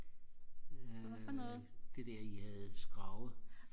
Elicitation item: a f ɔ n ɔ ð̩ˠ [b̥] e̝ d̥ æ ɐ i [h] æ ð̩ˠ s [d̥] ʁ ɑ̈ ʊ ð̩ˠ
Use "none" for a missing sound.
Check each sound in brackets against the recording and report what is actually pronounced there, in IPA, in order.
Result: d̥, h, ɡ̥

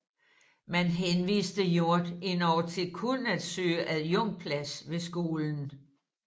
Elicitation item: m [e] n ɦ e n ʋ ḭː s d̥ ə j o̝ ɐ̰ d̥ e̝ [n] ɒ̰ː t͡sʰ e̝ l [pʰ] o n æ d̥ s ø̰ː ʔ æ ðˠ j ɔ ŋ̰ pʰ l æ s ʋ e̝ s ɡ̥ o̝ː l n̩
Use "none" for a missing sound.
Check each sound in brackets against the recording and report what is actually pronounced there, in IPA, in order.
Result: æ, n, kʰ

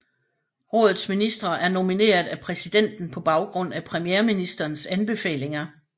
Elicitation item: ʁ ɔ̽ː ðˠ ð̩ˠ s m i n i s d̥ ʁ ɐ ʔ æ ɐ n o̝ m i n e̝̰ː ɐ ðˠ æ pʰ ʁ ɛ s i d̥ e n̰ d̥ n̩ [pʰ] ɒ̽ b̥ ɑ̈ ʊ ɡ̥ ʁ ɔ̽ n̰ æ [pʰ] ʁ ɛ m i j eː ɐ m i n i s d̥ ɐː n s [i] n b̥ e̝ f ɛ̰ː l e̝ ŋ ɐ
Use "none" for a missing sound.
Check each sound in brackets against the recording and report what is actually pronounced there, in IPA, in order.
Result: pʰ, pʰ, æ

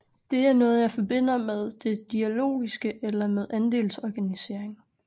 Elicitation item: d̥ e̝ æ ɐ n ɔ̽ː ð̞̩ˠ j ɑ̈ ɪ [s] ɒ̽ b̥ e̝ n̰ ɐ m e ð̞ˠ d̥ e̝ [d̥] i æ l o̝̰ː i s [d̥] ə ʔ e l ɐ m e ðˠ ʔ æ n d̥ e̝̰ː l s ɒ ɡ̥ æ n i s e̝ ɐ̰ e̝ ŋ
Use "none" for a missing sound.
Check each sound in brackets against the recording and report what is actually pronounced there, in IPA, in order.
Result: f, d̥, ɡ̥

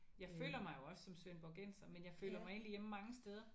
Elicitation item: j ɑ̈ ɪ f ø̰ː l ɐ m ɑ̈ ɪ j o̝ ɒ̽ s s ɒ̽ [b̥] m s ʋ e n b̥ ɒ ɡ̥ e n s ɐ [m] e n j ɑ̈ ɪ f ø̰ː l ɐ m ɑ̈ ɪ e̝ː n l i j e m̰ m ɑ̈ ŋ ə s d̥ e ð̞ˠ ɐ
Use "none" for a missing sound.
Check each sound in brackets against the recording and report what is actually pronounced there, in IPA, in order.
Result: none, m

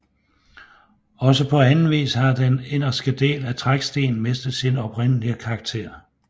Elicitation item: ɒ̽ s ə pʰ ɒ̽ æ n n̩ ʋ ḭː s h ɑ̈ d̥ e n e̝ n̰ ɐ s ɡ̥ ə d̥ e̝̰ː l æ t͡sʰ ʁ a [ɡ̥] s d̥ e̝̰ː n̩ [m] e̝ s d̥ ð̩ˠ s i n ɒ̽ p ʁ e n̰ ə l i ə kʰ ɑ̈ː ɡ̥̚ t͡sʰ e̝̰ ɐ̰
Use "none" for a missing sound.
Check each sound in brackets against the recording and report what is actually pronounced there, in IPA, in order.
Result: ɡ̥, m

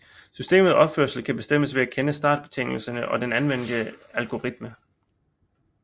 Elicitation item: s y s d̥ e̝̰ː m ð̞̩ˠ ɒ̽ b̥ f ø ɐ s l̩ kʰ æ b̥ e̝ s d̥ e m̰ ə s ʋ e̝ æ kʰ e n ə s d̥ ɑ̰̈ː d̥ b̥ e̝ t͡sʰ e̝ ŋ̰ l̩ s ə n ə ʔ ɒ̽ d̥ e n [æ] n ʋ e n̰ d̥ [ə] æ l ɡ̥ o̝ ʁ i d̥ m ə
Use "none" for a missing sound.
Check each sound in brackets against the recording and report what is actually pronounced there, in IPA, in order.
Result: æ, ə

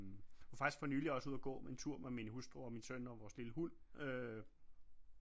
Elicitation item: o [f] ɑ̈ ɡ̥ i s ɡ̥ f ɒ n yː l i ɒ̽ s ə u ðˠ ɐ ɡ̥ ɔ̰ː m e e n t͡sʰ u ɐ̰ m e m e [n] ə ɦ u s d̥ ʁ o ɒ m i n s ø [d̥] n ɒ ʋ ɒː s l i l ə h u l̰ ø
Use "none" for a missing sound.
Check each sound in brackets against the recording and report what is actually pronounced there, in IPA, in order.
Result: f, n, none

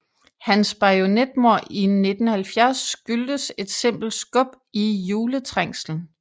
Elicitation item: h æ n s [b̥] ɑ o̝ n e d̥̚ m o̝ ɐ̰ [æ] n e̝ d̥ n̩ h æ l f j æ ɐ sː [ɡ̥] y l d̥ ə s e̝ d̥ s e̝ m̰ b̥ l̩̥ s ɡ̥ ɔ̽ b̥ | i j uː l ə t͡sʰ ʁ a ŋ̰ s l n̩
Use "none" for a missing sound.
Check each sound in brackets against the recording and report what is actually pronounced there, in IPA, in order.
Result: b̥, i, ɡ̥

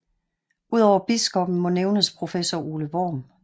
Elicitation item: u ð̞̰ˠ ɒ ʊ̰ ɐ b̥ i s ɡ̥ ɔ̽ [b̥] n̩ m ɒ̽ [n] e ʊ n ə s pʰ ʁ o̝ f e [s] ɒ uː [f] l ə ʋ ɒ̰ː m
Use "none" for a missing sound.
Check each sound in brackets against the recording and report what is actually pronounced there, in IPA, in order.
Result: b̥, n, s, none

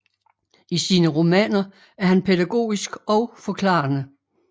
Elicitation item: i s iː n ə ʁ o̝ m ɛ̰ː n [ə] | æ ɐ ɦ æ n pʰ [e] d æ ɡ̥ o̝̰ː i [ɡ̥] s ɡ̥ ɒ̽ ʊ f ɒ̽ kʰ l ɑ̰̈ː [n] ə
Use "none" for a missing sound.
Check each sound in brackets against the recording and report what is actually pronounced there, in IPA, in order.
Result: ɐ, e, none, n

